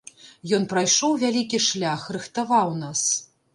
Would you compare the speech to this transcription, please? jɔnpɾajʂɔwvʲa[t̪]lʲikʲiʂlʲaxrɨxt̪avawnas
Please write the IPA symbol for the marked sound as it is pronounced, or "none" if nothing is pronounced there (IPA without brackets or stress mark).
none